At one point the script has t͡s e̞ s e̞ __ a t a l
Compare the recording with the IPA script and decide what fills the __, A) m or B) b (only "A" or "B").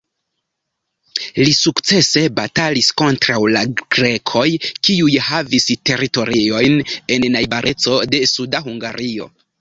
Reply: B